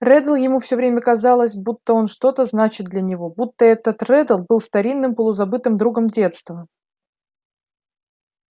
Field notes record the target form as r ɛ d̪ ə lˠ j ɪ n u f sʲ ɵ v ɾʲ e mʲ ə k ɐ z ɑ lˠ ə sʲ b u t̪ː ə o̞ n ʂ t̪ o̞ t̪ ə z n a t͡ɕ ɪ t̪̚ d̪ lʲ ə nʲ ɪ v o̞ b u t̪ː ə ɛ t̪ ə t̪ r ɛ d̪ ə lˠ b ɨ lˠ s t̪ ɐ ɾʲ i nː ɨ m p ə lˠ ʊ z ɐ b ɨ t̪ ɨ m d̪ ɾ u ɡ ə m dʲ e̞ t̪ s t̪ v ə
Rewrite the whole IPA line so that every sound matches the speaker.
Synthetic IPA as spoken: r ɛ d̪ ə lˠ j ɪ m u f sʲ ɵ v ɾʲ e mʲ ə k ɐ z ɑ lˠ ə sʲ b u t̪ː ə o̞ n ʂ t̪ o̞ t̪ ə z n a t͡ɕ ɪ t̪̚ d̪ lʲ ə nʲ ɪ v o̞ b u t̪ː ə ɛ t̪ ə t̪ r ɛ d̪ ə lˠ b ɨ lˠ s t̪ ɐ ɾʲ i nː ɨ m p ə lˠ ʊ z ɐ b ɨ t̪ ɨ m d̪ ɾ u ɡ ə m dʲ e̞ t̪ s t̪ v ə